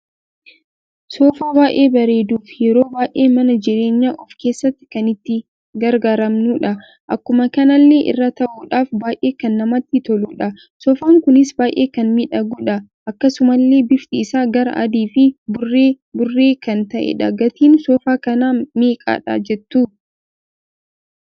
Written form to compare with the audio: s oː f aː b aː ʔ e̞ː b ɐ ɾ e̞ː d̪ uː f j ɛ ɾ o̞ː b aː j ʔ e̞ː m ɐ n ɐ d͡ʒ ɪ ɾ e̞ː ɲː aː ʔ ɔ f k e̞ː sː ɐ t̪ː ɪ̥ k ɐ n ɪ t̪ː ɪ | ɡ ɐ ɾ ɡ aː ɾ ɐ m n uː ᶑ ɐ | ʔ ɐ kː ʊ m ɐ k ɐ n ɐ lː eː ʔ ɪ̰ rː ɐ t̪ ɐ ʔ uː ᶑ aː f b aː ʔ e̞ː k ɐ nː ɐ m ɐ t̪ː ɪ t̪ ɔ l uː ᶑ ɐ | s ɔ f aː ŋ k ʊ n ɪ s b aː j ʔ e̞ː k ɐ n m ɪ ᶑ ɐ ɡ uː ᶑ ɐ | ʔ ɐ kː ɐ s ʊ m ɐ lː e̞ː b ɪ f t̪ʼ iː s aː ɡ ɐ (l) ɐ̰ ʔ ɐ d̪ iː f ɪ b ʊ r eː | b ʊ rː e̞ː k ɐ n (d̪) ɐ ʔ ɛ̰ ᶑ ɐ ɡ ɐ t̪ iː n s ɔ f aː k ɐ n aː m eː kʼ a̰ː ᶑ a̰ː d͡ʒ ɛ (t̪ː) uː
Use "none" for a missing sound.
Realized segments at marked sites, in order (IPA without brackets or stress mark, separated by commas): ɾ, t̪, t̪ː